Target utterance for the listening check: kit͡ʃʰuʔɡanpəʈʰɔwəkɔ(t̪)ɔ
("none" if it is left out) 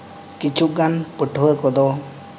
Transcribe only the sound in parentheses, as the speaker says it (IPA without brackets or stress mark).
d̪